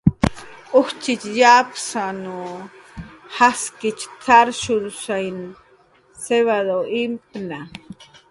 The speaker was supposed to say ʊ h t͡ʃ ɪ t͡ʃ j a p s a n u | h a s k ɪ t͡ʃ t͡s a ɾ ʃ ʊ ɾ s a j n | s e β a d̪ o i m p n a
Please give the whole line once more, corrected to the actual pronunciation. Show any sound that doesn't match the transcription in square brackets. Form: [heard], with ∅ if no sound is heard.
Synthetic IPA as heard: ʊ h t͡ʃ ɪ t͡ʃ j a p s a n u | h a s k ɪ t͡ʃ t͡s a ɾ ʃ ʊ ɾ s a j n | s e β a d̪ o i m p n a